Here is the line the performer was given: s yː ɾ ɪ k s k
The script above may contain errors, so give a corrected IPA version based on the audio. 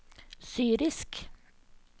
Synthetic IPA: s yː ɾ ɪ s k